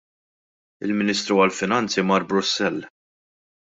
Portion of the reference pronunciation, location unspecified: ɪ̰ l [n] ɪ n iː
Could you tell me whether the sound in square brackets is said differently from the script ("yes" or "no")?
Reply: yes